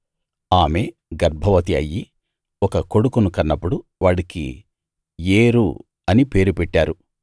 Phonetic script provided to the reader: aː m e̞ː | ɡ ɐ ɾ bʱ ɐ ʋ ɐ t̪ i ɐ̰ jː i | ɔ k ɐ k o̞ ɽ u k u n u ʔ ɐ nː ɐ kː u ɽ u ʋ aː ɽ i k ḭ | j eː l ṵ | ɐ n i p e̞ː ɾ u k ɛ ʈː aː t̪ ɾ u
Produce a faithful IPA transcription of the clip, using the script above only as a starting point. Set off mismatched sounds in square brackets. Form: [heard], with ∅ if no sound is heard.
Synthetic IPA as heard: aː m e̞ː | ɡ ɐ ɾ bʱ ɐ ʋ ɐ t̪ i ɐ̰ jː i | ɔ k ɐ k o̞ ɽ u k u n u [k] ɐ nː ɐ [pː] u ɽ u ʋ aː ɽ i k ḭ | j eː [ɾ] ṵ | ɐ n i p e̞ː ɾ u [p] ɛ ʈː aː [∅] ɾ u